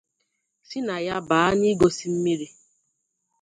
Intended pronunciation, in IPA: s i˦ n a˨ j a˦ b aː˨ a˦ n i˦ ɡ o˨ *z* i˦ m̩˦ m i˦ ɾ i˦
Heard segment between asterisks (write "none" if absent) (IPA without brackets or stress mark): s